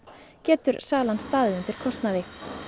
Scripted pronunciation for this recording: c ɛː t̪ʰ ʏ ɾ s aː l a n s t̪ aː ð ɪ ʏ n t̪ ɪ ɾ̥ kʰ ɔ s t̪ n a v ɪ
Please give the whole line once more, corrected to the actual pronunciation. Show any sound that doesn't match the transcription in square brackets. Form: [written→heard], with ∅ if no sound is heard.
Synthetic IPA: c ɛː [t̪ʰ→t̪] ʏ ɾ s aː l a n s t̪ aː ð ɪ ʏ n t̪ ɪ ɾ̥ kʰ ɔ s t̪ n a [v→ð] ɪ